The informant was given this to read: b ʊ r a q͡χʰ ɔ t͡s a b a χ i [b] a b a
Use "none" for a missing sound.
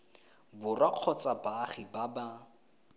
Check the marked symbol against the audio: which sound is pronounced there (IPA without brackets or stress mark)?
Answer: b